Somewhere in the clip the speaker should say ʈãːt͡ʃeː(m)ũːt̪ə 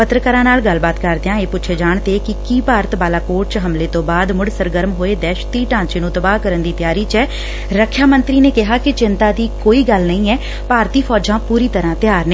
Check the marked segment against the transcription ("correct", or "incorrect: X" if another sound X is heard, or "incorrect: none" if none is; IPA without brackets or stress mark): incorrect: n